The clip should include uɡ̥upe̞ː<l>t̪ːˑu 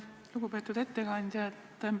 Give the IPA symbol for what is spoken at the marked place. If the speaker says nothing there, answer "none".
none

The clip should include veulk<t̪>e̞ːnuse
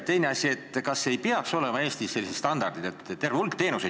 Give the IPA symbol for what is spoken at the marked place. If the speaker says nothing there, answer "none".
t̪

